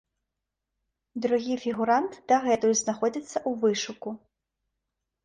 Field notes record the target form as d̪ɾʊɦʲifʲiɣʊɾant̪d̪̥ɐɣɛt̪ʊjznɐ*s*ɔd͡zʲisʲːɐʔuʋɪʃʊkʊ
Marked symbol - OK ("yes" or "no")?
no